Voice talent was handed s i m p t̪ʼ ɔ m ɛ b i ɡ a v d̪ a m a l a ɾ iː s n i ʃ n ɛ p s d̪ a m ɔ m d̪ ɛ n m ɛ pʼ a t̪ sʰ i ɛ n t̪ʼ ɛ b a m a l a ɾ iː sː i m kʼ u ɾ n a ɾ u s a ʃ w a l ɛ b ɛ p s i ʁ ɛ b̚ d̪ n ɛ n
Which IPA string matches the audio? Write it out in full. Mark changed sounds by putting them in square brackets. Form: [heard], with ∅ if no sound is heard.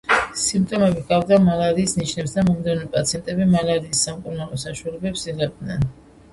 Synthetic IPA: s i m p t̪ʼ ɔ m ɛ b i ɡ a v d̪ a m a l a ɾ iː s n i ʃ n ɛ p s d̪ a m ɔ m d̪ ɛ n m ɛ pʼ a t̪ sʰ i ɛ n t̪ʼ ɛ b [i] m a l a ɾ iː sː [a] m kʼ u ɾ n a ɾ [ɔ] s a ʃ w a l ɛ b ɛ p s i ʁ ɛ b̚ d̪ n ɛ n